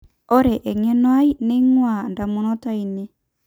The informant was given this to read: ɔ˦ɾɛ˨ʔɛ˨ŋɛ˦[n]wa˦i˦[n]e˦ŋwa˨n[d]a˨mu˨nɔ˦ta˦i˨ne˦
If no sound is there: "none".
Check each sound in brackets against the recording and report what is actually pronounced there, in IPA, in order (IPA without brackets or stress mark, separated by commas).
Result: n, n, d